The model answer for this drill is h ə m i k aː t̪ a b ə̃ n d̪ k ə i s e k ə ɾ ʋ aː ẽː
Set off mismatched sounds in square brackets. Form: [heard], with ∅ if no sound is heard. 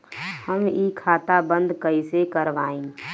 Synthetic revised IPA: h ə m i [kʰ] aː t̪ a b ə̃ n d̪ k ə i s e k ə ɾ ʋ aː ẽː